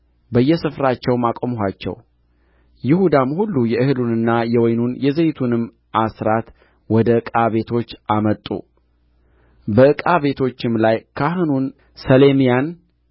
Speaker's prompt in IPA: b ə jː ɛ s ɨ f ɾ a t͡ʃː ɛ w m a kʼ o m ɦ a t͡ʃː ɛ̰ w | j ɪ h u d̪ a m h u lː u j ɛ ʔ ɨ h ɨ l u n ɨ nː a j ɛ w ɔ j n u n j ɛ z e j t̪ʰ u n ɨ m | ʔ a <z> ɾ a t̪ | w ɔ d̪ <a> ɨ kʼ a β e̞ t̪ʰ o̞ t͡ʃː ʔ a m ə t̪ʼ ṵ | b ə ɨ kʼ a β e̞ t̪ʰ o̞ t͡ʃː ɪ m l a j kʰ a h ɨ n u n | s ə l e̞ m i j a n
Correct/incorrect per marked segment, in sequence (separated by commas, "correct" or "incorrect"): incorrect, incorrect